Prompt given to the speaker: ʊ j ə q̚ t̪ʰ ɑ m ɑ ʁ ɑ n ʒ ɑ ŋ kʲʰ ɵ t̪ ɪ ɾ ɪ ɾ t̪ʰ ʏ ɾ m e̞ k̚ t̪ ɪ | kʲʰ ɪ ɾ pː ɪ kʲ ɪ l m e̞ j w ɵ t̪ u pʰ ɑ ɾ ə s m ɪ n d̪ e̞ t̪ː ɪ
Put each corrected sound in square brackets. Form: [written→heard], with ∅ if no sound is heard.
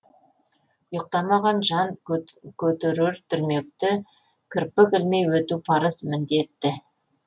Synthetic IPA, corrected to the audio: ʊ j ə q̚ [t̪ʰ→t̪] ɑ m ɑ ʁ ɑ n ʒ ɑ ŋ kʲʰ ɵ t̪ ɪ ɾ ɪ ɾ t̪ʰ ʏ ɾ m e̞ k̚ t̪ ɪ | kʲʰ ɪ ɾ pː ɪ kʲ ɪ l m e̞ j w ɵ t̪ u pʰ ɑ ɾ ə s m ɪ n d̪ e̞ t̪ː ɪ